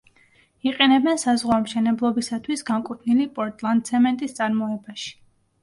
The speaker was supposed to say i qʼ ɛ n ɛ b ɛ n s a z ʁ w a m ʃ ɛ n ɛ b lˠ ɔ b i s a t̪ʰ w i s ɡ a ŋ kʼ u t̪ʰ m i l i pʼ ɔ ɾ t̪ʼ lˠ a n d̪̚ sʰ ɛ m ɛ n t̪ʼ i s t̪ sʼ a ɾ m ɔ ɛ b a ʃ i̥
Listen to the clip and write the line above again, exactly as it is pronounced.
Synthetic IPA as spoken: i qʼ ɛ n ɛ b ɛ n s a z ʁ w a m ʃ ɛ n ɛ b lˠ ɔ b i s a t̪ʰ w i s ɡ a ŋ kʼ u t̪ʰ n i l i pʼ ɔ ɾ t̪ʼ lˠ a n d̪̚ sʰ ɛ m ɛ n t̪ʼ i s t̪ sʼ a ɾ m ɔ ɛ b a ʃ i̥